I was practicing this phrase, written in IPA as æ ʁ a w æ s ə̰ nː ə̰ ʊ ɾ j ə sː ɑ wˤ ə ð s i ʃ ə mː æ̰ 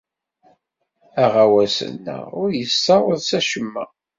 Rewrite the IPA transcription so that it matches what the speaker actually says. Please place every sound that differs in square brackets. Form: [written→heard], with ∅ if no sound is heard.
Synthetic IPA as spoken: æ ʁ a w æ s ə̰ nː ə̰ ʊ ɾ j ə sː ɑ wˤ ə ð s [i→æ] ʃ ə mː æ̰